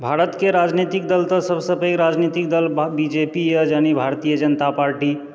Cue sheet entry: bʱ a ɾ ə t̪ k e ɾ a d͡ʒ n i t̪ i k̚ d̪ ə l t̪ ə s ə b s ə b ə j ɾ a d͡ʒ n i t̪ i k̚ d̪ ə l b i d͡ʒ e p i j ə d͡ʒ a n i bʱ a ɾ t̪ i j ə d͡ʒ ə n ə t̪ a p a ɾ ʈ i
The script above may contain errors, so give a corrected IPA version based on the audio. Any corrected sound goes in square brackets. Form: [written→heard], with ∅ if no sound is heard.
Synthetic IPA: bʱ a ɾ ə t̪ k e ɾ a d͡ʒ n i t̪ i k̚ d̪ ə l t̪ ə s ə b s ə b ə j ɾ a d͡ʒ n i t̪ i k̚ d̪ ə l b i d͡ʒ e p i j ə d͡ʒ a n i bʱ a ɾ t̪ i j ə d͡ʒ ə n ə t̪ a p a ɾ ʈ i